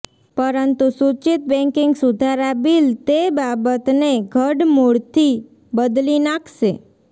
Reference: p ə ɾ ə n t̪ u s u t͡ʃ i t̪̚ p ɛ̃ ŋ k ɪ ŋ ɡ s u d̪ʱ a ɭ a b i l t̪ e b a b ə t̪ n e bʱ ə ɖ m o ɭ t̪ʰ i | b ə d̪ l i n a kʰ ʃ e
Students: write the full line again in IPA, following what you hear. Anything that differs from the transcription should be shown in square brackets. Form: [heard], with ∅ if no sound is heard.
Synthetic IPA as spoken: p ə ɾ ə n t̪ u s u t͡ʃ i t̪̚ [b] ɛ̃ ŋ k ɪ ŋ ɡ s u d̪ʱ a [ɾ] a b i l t̪ e b a b ə t̪ n e [ɡʱ] ə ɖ m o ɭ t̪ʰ i | b ə d̪ l i n a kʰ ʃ e